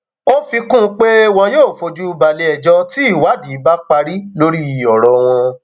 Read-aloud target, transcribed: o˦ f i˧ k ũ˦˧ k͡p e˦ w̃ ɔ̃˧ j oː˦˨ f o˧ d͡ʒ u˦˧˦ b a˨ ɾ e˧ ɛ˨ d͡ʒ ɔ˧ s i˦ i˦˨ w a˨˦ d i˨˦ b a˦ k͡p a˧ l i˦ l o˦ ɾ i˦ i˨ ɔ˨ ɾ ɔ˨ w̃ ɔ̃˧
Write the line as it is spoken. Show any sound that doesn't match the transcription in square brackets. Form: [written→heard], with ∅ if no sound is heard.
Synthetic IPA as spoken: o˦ f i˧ k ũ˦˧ k͡p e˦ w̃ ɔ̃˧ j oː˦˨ f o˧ d͡ʒ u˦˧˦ b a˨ [ɾ→l] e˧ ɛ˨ d͡ʒ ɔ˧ [s→t] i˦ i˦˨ w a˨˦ d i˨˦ b a˦ k͡p a˧ [l→ɾ] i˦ l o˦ ɾ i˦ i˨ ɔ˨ ɾ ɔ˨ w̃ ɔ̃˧